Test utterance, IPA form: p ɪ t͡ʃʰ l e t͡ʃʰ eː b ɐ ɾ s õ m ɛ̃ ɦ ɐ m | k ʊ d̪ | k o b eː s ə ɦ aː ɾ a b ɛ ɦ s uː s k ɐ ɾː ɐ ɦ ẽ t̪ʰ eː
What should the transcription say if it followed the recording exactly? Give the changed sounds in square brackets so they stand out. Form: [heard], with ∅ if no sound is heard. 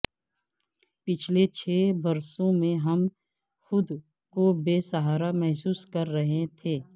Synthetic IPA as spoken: p ɪ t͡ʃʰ l e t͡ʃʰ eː b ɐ ɾ s õ m [ẽ] ɦ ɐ m | [x] ʊ d̪ | k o b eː s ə ɦ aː ɾ a [m] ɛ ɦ s uː s k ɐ ɾː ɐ ɦ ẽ t̪ʰ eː